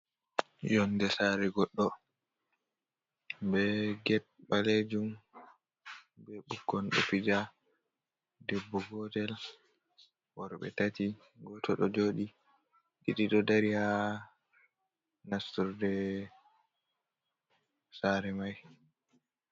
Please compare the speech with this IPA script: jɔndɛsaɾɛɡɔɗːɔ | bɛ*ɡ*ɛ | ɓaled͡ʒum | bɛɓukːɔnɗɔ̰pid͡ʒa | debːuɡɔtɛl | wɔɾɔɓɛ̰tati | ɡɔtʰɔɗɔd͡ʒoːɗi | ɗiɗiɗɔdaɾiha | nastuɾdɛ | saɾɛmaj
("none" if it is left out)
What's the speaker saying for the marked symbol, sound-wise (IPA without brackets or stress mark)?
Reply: ɡ